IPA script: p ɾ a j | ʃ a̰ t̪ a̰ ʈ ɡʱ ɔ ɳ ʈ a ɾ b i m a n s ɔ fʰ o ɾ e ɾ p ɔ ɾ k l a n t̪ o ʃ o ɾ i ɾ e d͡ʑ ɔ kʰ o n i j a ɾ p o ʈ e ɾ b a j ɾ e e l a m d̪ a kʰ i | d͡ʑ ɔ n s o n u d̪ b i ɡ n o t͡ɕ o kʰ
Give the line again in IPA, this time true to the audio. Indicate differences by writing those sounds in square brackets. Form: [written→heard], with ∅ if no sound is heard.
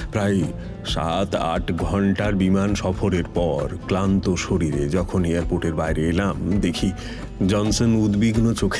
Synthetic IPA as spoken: p ɾ a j | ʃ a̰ t̪ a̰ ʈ ɡʱ ɔ ɳ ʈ a ɾ b i m a n [s→ʃ] ɔ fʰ o ɾ e ɾ p ɔ ɾ k l a n t̪ o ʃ o ɾ i ɾ e d͡ʑ ɔ kʰ o n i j a ɾ p o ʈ e ɾ b a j ɾ e e l a m d̪ [a→e] kʰ i | d͡ʑ ɔ n s o n u d̪ b i ɡ n o t͡ɕ o kʰ